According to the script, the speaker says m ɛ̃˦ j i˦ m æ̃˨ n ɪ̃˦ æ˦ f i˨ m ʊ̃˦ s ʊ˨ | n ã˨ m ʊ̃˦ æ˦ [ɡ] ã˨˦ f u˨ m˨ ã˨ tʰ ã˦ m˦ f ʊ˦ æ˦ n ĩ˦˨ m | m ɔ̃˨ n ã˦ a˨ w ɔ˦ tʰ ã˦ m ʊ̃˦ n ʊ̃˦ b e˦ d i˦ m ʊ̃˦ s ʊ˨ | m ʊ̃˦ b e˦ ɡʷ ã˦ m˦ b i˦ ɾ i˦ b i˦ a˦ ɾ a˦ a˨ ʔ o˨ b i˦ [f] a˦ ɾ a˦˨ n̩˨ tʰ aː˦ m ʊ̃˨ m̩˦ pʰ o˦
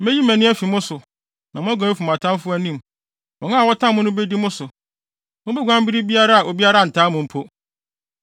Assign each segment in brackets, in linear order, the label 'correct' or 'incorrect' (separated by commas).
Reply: correct, incorrect